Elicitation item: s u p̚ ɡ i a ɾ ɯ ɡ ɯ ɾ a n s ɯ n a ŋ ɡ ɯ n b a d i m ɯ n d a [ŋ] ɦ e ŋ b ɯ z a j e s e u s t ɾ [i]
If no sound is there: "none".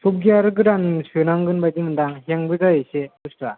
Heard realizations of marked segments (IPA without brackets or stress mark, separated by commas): ŋ, a